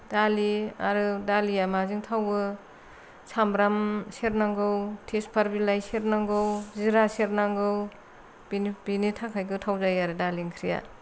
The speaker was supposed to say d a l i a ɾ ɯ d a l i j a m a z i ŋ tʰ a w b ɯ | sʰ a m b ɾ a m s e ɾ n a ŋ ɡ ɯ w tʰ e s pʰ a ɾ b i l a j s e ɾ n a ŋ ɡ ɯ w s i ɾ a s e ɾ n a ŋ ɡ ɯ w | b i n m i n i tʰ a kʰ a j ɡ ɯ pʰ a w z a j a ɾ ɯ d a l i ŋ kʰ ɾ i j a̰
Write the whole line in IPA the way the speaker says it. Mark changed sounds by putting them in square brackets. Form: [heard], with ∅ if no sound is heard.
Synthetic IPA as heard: d a l i a ɾ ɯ d a l i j a m a z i ŋ tʰ a w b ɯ | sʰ a m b ɾ a m s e ɾ n a ŋ ɡ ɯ w tʰ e s pʰ a ɾ b i l a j s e ɾ n a ŋ ɡ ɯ w [z] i ɾ a s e ɾ n a ŋ ɡ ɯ w | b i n [b] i n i tʰ a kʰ a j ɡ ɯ [tʰ] a w z a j a ɾ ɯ d a l i ŋ kʰ ɾ i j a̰